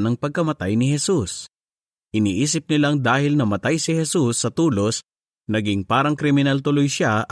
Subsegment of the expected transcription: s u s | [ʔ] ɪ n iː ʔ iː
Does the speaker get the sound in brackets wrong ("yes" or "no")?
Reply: no